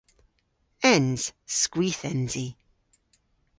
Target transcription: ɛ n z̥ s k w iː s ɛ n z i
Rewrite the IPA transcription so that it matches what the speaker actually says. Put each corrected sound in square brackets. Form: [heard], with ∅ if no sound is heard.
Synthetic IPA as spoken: ɛ n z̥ s k w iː [θ] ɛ n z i